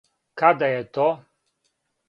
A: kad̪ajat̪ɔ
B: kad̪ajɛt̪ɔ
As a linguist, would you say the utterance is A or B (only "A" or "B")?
B